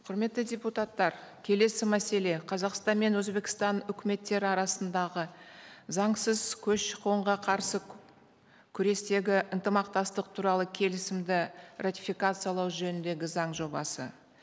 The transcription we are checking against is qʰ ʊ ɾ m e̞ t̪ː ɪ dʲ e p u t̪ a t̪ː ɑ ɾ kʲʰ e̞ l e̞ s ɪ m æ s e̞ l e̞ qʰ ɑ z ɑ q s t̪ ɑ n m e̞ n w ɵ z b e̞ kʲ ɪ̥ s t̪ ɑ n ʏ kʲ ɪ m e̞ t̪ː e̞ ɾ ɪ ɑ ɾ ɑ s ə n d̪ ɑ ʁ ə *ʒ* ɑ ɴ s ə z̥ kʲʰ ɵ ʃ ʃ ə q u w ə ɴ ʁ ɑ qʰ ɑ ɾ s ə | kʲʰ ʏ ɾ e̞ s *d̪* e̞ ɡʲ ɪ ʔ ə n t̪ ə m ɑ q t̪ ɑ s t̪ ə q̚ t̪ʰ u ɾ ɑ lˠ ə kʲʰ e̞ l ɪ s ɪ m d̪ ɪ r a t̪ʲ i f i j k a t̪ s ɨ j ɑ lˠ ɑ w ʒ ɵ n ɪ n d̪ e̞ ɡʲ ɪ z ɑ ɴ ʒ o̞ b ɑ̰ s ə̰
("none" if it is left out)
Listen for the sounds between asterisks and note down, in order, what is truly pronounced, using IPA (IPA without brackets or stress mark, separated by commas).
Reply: z, t̪